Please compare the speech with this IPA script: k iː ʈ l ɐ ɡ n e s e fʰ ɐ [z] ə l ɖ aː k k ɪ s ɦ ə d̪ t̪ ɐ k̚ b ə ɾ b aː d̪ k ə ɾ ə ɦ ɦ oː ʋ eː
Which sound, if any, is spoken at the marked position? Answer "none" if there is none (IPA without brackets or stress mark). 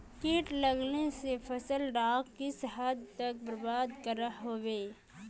s